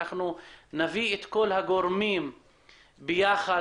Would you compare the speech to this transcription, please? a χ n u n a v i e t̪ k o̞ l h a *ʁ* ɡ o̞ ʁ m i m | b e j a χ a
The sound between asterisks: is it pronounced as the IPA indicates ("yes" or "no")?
no